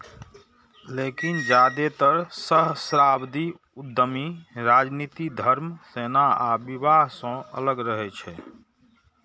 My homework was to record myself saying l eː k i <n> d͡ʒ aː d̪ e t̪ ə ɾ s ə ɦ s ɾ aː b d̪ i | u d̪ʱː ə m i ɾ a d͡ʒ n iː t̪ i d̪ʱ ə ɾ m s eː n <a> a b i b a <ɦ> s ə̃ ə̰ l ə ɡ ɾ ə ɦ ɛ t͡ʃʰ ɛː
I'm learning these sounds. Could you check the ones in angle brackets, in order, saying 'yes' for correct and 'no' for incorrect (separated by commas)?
yes, yes, yes